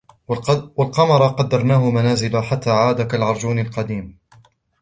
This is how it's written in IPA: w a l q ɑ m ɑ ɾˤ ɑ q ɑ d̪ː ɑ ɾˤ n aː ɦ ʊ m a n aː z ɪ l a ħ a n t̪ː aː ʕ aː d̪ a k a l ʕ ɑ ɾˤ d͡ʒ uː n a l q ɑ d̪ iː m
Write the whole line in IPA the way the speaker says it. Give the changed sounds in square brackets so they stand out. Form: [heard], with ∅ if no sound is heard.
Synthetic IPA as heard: w a l q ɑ m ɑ ɾˤ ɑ q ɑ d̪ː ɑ ɾˤ n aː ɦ ʊ m a n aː z ɪ l a ħ a [∅] t̪ː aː ʕ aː d̪ a k a l ʕ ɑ ɾˤ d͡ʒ uː n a l q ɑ d̪ iː m